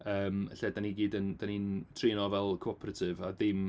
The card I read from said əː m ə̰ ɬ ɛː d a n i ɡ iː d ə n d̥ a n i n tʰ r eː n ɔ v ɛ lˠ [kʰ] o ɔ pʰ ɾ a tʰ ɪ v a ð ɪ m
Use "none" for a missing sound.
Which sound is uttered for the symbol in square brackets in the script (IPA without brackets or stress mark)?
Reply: kʰ